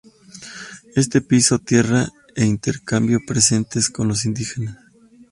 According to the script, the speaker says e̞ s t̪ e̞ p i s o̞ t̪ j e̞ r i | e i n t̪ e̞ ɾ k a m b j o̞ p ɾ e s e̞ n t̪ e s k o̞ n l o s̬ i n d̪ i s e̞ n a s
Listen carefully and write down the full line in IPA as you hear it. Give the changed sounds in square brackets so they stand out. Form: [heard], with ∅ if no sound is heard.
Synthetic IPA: e̞ s t̪ e̞ p i s o̞ t̪ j e̞ r [a] | e i n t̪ e̞ ɾ k a m b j o̞ p ɾ e s e̞ n t̪ e s k o̞ n l o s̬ i n d̪ i [x] e̞ n a s